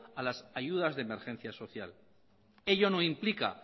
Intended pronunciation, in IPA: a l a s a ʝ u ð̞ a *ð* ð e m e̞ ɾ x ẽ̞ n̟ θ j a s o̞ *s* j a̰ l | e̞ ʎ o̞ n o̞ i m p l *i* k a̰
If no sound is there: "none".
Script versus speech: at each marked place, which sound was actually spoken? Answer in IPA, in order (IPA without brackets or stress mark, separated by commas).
z, θ, i